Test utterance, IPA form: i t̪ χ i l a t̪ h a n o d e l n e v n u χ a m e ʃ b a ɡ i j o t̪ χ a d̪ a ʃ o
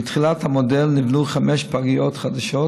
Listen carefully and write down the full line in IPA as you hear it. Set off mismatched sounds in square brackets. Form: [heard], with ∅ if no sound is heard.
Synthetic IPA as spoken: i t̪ χ i l a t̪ h a [m] o d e l n [i] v n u χ a m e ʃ [p] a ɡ i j o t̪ χ a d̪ a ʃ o